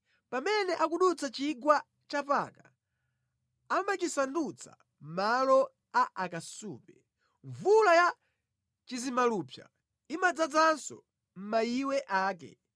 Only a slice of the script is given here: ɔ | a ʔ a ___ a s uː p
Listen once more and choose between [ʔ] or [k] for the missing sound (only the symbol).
k